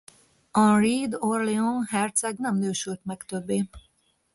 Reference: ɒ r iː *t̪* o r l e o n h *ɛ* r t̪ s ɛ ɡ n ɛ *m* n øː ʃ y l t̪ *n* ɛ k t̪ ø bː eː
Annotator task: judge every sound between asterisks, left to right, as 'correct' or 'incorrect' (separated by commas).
incorrect, correct, correct, incorrect